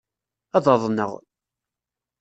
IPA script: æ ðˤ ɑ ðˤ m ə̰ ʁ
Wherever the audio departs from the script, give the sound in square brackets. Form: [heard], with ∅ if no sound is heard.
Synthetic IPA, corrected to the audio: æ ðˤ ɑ ðˤ [n] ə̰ ʁ